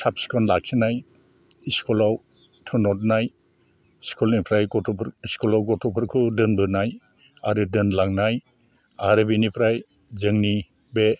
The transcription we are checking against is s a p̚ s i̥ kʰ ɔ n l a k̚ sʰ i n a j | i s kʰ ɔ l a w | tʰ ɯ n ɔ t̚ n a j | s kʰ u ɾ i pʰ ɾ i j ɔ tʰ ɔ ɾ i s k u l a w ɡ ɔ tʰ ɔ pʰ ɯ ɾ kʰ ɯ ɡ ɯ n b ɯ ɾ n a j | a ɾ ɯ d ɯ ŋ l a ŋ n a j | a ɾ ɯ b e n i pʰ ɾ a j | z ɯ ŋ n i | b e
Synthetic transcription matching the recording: s a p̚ s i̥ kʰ ɔ n l a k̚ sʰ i n a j | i s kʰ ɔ l a w | tʰ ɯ n ɔ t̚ n a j | s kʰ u l i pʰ ɾ a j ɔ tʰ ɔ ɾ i s k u l a w ɡ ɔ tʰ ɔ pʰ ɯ ɾ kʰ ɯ d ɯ n b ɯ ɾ n a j | a ɾ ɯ d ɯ n l a ŋ n a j | a ɾ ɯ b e n i pʰ ɾ a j | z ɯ ŋ n i | b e